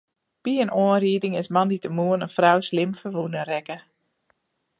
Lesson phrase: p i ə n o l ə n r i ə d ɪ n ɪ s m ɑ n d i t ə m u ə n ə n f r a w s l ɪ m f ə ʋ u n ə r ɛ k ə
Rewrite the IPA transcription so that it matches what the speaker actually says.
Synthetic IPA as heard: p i ə n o ə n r i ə d ɪ ŋ ɪ s m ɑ n d i t ə m u ə n ə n f r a w s l ɪ m f ə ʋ u n ə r ɛ k ə